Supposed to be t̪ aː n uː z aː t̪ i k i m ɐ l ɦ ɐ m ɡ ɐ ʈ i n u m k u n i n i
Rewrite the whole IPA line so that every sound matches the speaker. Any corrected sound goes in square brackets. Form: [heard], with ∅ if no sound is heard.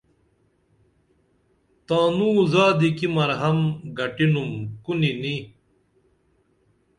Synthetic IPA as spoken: t̪ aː n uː z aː [d̪] i k i m ɐ [ɾ] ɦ ɐ m ɡ ɐ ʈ i n u m k u n i n i

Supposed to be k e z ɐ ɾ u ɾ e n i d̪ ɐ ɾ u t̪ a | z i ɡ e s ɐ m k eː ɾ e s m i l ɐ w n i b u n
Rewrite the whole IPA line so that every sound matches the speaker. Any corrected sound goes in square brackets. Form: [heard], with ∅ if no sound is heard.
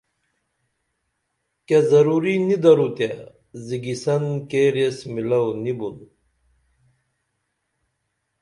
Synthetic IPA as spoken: k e z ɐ ɾ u ɾ [i] n i d̪ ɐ ɾ u t̪ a | z i ɡ [i] s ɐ [n] k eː ɾ e s m i l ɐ w n i b u n

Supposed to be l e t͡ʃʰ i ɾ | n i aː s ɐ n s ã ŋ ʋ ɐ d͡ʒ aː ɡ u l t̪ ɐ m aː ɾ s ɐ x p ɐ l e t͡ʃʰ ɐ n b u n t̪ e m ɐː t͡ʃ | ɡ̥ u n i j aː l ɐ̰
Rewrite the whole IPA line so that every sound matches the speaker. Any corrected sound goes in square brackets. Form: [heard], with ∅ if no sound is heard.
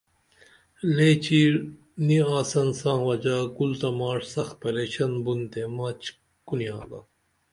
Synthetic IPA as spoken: l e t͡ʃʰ i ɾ | n i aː s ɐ n s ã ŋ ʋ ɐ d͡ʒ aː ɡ u l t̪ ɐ m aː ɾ s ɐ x p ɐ l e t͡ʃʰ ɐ n b u n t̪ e m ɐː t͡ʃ | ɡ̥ u n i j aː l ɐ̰

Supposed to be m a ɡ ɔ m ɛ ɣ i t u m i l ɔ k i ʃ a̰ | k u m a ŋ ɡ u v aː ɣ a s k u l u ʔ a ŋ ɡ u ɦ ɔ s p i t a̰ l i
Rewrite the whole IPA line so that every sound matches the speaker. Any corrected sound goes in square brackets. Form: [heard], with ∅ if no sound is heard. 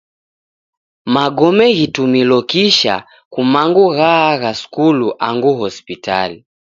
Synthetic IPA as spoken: m a ɡ ɔ m ɛ ɣ i t u m i l ɔ k i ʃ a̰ | k u m a ŋ ɡ u [ɣ] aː ɣ a s k u l u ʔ a ŋ ɡ u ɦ ɔ s p i t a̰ l i

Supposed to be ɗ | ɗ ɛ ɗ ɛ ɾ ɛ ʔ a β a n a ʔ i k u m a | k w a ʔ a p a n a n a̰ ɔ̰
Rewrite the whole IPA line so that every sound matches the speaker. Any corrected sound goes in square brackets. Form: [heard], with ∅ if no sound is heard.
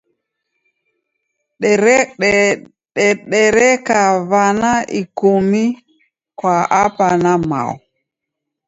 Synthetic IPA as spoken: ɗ | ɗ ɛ ɗ ɛ ɾ ɛ [k] a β a n a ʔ i k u m [i] | k w a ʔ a p a n a [m] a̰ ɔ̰

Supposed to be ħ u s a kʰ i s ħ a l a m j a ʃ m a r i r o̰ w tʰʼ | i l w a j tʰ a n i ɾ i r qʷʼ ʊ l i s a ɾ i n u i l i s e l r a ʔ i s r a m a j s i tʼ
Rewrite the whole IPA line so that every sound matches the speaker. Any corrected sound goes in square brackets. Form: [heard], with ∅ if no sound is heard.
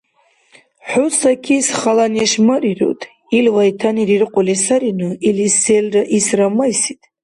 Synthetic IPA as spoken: ħ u s a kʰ i s [χ] a l a [n] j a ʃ m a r i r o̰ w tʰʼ | i l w a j tʰ a n i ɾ i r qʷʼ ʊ l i s a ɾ i n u i l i s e l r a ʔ i s r a m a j s i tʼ

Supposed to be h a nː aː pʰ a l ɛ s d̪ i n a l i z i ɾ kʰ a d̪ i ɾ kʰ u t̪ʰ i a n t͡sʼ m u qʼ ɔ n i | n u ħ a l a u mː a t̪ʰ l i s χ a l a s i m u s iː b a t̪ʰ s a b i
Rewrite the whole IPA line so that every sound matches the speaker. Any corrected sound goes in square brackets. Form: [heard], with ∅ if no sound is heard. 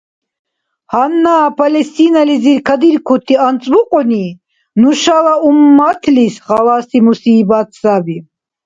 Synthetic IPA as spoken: h a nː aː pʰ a l ɛ s [t̪] i n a l i z i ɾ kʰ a d̪ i ɾ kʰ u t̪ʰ i a n t͡sʼ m u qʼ ɔ n i | n u [ʃ] a l a u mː a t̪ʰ l i s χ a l a s i m u s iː b a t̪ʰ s a b i

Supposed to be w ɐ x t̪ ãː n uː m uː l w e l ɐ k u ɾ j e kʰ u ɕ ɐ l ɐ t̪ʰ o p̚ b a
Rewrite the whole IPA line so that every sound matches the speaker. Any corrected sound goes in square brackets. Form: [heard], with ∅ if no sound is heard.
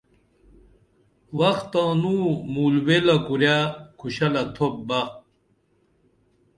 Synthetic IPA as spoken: w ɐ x t̪ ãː n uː m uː l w e l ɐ k u ɾ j [a] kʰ u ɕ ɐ l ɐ t̪ʰ o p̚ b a

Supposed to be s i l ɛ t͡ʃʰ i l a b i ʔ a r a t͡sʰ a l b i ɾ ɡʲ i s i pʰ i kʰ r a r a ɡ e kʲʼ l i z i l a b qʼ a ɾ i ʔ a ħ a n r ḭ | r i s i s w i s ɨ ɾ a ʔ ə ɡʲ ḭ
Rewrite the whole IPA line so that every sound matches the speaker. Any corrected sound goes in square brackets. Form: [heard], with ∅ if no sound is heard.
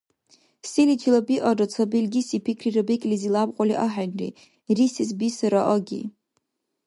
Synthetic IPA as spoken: s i l [i] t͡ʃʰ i l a b i ʔ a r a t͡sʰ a [∅] b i [l] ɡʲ i s i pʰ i kʰ r [i] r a [b] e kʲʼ l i z i l a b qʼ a [l] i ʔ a ħ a n r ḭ | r i s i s [b] i s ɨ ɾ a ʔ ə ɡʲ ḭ

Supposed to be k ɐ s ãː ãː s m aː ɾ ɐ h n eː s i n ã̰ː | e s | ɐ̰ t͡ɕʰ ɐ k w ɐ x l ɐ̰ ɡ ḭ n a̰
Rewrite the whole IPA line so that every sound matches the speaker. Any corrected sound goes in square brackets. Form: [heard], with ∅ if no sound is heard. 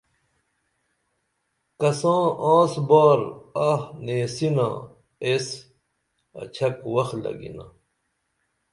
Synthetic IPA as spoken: k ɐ s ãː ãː s [b] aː ɾ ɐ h n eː s i n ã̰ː | e s | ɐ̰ t͡ɕʰ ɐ k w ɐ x l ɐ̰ ɡ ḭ n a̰

